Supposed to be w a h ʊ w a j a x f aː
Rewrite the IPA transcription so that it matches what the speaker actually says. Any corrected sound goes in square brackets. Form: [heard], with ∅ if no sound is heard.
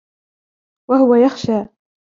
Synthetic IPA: w a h ʊ w a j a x [ʃ] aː